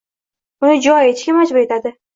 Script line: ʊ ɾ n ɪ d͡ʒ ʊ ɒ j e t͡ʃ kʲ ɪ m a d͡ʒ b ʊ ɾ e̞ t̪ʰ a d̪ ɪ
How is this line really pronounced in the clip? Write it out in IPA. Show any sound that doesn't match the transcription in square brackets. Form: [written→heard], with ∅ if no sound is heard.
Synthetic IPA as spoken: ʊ [ɾ→∅] n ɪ d͡ʒ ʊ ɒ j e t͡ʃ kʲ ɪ m a d͡ʒ b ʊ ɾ e̞ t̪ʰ a d̪ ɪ